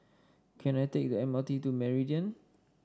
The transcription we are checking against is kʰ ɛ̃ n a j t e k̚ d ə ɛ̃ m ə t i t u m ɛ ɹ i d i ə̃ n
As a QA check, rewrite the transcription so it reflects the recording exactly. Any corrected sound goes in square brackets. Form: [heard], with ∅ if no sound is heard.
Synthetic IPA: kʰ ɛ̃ n a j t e k̚ d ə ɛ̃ m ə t i t u m ɛ ɹ i d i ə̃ n